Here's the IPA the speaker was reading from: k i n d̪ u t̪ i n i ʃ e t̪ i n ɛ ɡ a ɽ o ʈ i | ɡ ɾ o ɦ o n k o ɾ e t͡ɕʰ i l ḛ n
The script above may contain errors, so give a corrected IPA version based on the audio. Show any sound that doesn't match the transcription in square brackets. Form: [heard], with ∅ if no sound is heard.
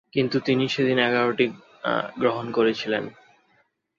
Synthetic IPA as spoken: k i n [t̪] u t̪ i n i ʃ e [d̪] i n ɛ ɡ a [ɾ] o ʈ i | ɡ ɾ o ɦ o n k o ɾ e t͡ɕʰ i l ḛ n